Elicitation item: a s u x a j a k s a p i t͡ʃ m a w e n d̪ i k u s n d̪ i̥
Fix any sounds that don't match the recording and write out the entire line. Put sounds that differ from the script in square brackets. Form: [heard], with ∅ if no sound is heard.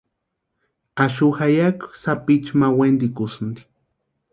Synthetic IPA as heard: a [ʃ] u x a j a k s a p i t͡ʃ m a w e n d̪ i k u s n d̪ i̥